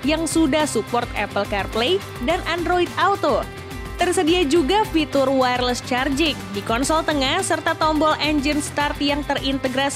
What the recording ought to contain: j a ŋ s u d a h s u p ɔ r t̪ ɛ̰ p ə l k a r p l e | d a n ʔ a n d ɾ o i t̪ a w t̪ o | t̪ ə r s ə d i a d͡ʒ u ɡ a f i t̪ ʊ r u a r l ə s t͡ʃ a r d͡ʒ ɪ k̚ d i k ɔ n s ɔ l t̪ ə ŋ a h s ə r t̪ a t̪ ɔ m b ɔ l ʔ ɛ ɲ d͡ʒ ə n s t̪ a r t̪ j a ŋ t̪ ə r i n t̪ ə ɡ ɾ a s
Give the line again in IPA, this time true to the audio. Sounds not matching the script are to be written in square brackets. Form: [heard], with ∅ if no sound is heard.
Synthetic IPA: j a ŋ s u d a h s u p ɔ r t̪ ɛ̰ p ə l k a r p l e | d a n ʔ a n d ɾ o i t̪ a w t̪ o | t̪ ə r s ə d i a d͡ʒ u ɡ a f i t̪ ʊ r [w] a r l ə s t͡ʃ a r d͡ʒ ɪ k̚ d i k ɔ n s ɔ l t̪ ə ŋ a h s ə r t̪ a t̪ ɔ m b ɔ l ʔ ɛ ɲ d͡ʒ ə n s t̪ a r t̪ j a ŋ t̪ ə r i n t̪ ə ɡ ɾ a s